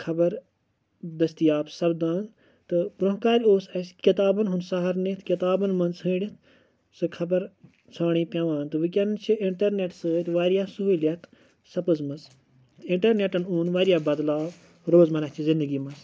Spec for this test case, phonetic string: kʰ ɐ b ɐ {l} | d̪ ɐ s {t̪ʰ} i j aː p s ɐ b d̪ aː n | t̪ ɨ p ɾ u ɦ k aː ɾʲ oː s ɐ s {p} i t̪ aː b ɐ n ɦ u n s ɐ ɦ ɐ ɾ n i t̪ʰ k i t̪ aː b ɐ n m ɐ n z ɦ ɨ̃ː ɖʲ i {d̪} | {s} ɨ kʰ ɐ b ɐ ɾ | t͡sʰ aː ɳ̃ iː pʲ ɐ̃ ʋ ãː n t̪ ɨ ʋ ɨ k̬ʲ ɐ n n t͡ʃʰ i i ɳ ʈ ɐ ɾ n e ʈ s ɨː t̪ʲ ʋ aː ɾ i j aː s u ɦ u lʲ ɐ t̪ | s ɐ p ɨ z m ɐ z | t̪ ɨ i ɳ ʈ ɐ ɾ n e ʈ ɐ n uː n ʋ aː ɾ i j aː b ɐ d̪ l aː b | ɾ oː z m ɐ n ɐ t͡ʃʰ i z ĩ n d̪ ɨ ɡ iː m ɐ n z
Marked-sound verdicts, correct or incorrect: incorrect: ɾ, incorrect: t̪, incorrect: k, incorrect: t̪, correct

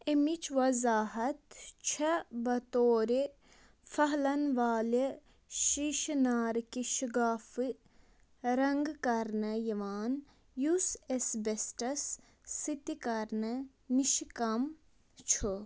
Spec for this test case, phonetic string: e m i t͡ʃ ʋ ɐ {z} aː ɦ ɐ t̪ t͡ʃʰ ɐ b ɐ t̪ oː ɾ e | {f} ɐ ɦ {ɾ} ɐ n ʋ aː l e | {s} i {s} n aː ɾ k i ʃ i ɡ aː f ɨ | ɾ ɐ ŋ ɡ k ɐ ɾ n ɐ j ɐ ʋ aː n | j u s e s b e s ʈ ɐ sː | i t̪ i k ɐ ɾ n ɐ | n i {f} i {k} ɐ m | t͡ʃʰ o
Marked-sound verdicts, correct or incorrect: correct, correct, incorrect: l, incorrect: ʃ, incorrect: ʃ, incorrect: ʃ, correct

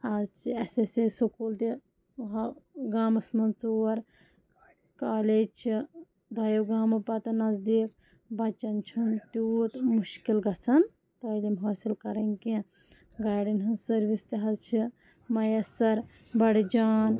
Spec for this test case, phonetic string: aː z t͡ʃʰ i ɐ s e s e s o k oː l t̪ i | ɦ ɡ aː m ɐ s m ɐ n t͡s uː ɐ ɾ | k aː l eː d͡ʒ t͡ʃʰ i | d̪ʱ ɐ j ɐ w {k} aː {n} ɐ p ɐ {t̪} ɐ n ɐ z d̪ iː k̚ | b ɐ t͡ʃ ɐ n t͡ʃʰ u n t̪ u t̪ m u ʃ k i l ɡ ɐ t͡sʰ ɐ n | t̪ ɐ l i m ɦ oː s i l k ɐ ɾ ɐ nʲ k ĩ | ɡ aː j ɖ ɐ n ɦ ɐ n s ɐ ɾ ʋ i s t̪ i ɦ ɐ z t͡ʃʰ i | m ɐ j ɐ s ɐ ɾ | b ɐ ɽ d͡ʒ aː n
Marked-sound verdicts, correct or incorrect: incorrect: ɡ, incorrect: m, correct

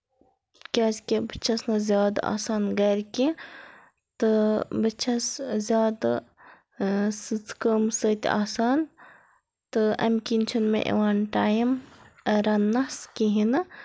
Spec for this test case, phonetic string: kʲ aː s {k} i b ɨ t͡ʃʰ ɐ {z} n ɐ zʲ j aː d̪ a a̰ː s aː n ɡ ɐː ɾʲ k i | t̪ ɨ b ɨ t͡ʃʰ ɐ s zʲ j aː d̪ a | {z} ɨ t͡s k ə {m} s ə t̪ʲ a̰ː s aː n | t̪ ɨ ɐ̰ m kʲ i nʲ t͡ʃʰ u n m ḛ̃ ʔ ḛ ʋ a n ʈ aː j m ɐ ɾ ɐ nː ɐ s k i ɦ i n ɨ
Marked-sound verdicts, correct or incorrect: correct, incorrect: s, incorrect: s, correct

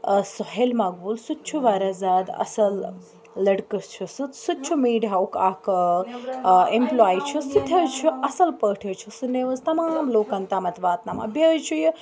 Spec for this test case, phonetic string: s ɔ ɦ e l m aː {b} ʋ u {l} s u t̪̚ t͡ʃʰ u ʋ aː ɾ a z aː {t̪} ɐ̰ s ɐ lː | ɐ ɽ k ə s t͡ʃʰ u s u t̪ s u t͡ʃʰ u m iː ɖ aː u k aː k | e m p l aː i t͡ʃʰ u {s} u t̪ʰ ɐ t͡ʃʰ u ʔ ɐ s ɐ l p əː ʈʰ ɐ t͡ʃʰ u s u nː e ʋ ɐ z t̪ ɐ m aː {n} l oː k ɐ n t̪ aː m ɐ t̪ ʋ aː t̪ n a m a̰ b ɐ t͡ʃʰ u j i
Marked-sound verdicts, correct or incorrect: incorrect: ɡ, correct, incorrect: d̪, correct, incorrect: m

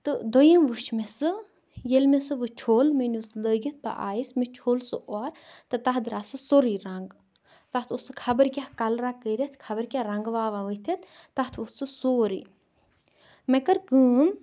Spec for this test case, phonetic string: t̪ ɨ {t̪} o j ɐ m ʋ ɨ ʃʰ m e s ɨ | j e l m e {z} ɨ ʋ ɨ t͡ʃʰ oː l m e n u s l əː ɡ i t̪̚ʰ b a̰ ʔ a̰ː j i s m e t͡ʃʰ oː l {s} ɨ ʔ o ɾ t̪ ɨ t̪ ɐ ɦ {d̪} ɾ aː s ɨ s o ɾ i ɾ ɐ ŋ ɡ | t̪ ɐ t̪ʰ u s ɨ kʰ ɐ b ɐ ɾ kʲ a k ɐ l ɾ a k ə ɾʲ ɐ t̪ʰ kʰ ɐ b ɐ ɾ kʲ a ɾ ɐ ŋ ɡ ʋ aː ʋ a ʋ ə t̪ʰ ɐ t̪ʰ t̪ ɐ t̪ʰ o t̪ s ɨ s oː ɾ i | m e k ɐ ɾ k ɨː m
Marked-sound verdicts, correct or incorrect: incorrect: d̪, incorrect: s, correct, correct

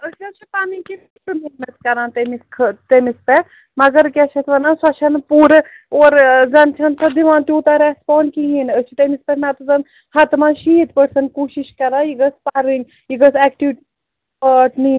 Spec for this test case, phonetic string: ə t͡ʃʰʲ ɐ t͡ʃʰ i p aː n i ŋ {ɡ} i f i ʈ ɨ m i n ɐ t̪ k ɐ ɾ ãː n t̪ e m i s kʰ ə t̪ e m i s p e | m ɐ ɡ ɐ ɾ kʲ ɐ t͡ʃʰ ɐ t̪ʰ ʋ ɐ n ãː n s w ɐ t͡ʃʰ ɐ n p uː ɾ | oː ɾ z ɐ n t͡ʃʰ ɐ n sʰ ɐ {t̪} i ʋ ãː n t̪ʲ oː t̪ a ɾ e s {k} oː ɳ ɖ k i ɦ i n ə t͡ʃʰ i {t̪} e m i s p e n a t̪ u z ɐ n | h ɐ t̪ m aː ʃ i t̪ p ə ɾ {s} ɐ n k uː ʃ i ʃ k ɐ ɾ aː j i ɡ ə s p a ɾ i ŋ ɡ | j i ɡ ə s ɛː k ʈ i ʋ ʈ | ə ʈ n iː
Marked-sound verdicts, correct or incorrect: incorrect: k, incorrect: d̪, incorrect: p, correct, correct

